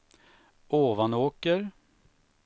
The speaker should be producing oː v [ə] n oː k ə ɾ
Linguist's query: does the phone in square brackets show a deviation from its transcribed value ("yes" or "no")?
yes